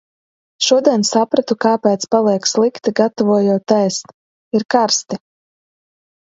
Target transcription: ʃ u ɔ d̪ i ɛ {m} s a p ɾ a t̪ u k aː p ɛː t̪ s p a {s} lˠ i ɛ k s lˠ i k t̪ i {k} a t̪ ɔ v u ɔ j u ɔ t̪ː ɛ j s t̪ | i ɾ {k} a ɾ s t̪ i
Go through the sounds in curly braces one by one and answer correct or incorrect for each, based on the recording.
incorrect: n, incorrect: none, incorrect: ɡ, correct

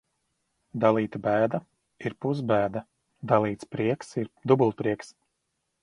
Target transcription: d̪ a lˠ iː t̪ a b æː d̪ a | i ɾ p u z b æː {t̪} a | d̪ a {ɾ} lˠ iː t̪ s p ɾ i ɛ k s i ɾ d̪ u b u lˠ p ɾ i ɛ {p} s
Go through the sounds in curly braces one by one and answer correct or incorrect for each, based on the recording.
incorrect: d̪, incorrect: none, incorrect: k

